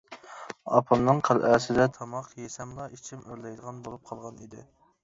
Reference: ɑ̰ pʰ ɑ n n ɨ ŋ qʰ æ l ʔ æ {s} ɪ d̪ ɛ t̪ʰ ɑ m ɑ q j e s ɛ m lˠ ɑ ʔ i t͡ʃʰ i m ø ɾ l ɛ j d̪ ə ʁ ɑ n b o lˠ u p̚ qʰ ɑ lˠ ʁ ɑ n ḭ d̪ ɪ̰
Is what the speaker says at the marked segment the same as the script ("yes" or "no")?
yes